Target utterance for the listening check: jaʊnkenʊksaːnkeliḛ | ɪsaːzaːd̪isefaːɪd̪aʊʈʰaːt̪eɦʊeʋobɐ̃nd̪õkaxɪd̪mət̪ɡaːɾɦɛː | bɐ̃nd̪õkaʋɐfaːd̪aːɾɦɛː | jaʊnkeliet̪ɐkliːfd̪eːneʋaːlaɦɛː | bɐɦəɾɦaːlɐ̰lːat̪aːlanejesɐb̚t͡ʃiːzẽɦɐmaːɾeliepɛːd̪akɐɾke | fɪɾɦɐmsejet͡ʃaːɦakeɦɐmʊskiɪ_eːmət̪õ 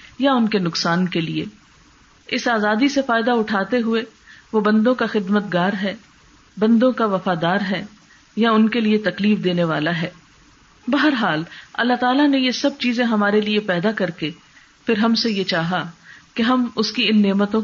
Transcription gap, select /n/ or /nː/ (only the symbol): nː